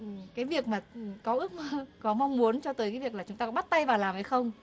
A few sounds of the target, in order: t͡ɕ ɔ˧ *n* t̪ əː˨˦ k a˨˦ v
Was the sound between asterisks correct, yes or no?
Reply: no